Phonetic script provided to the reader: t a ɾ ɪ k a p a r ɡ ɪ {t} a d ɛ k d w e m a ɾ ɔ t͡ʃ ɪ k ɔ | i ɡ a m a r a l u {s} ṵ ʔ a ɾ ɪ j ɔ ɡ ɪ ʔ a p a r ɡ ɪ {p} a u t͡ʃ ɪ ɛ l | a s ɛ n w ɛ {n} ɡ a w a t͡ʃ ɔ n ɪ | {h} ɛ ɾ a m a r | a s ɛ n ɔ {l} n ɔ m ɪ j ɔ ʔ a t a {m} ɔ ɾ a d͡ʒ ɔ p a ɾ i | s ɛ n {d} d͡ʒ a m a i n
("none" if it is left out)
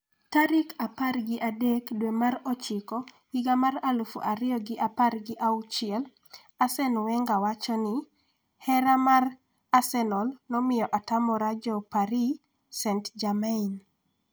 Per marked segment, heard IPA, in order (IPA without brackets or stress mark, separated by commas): ʔ, f, ʔ, ŋ, h, l, m, t